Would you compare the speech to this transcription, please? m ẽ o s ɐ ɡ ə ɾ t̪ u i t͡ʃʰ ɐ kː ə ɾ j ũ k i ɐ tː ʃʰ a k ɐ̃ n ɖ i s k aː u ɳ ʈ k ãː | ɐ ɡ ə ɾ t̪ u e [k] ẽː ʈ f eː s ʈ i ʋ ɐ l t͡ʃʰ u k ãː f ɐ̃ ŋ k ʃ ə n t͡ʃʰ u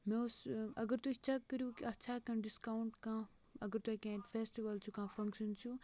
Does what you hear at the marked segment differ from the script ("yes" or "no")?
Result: no